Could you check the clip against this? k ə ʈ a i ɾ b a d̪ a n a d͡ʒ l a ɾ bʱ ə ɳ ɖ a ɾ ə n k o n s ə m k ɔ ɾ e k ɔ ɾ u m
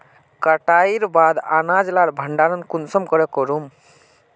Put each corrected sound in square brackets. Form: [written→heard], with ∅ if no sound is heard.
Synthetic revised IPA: k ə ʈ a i ɾ b a d̪ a n a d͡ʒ l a ɾ bʱ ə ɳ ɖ a ɾ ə n k [o→u] n s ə m k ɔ ɾ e k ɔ ɾ u m